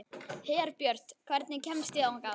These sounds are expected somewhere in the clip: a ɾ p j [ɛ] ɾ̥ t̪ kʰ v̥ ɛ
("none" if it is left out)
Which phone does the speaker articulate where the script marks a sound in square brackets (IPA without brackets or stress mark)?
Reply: œ